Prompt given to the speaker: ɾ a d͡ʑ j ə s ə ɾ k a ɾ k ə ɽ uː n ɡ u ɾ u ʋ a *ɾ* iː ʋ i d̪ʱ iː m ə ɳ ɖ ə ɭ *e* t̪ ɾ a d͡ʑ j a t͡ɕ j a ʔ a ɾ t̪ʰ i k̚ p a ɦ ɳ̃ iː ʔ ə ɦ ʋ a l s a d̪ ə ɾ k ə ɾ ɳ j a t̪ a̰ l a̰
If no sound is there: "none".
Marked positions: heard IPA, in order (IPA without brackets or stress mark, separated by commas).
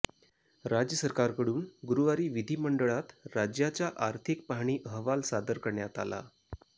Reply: ɾ, a